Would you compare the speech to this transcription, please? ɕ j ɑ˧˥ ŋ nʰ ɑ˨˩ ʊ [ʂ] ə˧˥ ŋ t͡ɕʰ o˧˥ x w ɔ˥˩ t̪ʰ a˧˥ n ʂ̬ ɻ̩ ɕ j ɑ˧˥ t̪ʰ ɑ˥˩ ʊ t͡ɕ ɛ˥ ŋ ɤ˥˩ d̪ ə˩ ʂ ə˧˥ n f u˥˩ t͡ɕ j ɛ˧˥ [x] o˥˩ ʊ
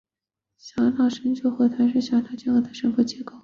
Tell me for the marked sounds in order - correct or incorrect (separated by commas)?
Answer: correct, incorrect